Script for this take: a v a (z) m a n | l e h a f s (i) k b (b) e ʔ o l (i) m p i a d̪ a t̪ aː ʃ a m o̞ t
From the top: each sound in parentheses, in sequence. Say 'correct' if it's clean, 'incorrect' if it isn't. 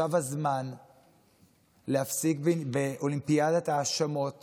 correct, correct, correct, correct

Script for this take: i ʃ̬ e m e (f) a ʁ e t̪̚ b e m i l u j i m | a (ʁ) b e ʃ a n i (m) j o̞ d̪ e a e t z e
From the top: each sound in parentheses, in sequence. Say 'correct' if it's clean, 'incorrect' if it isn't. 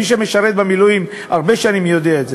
incorrect: ʃ, correct, correct

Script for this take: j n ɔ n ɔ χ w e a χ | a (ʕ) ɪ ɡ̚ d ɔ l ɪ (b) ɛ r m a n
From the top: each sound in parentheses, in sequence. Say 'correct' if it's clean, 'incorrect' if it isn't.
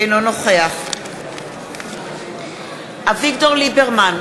incorrect: v, correct

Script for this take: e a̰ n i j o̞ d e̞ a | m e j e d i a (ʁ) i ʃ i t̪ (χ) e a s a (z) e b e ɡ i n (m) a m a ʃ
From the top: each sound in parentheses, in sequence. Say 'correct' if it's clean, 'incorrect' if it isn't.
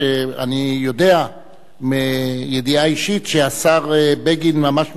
incorrect: none, incorrect: ʃ, incorrect: ʁ, correct

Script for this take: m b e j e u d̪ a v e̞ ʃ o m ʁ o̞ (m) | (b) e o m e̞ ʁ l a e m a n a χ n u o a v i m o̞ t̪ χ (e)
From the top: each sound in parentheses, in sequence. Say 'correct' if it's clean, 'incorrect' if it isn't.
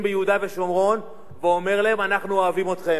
incorrect: n, incorrect: v, correct

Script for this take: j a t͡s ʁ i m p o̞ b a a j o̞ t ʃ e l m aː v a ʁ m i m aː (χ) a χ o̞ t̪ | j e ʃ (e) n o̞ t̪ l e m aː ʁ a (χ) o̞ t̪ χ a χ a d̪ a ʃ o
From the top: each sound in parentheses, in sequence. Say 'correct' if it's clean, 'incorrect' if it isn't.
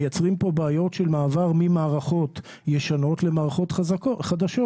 incorrect: ʁ, incorrect: a, correct

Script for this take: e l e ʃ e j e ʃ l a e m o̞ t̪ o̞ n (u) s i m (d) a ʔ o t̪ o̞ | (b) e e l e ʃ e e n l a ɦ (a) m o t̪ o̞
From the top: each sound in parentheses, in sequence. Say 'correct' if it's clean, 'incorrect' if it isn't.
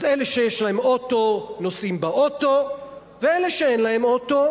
incorrect: o, incorrect: b, incorrect: v, incorrect: e

